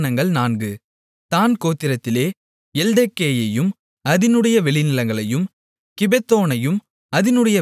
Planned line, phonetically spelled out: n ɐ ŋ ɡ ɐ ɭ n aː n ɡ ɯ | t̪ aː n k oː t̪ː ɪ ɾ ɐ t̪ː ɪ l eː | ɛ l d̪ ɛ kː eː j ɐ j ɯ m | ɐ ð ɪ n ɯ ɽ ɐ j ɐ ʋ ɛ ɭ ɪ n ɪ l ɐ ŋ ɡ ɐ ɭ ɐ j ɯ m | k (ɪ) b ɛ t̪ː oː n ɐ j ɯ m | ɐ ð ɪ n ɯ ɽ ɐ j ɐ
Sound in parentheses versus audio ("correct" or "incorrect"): correct